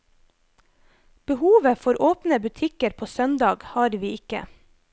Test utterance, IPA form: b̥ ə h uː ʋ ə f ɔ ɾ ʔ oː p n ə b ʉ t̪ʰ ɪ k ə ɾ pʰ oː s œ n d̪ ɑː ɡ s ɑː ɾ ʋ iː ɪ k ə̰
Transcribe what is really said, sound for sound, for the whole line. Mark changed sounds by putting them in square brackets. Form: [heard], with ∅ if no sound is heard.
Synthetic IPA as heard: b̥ ə h uː ʋ ə f ɔ ɾ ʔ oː p n ə b ʉ t̪ʰ ɪ k ə ɾ pʰ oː s œ n d̪ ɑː ɡ [h] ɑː ɾ ʋ iː ɪ k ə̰